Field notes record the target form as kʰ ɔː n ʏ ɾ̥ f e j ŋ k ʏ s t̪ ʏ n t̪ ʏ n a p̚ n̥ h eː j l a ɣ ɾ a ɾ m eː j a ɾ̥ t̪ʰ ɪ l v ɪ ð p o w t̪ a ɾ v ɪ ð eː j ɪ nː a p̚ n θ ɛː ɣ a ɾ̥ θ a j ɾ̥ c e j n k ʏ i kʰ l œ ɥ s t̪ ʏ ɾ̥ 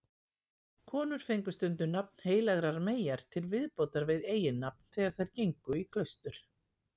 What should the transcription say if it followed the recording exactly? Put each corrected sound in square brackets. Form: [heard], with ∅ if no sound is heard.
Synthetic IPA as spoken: kʰ ɔː n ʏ ɾ̥ f e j ŋ k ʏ s t̪ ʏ n t̪ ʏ n a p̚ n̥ h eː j l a ɣ ɾ a ɾ m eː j a ɾ̥ t̪ʰ ɪ l v ɪ ð p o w t̪ a ɾ v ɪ ð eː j ɪ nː a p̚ n θ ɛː ɣ a ɾ̥ θ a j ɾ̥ c e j [ŋ] k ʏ i kʰ l œ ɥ s t̪ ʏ ɾ̥